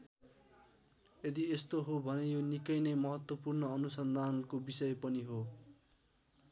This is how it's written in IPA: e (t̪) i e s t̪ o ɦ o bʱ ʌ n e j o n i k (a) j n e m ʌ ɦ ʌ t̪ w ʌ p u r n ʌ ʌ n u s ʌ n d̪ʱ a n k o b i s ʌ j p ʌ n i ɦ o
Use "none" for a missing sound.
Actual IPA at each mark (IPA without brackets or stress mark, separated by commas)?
d̪, ʌ